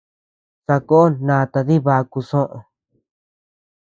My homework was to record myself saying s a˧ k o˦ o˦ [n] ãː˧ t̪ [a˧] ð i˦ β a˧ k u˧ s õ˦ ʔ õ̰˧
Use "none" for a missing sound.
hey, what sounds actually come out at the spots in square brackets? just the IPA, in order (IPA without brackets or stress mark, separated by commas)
n, a˧